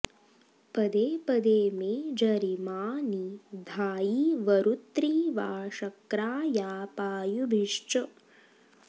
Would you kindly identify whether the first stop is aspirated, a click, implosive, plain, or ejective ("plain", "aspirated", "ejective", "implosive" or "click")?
plain